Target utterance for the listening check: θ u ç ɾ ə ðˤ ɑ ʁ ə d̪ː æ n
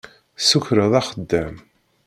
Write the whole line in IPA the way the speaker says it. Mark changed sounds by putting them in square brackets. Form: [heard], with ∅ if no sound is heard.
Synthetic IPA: [s] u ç ɾ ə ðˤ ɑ [χ] ə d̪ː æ [m]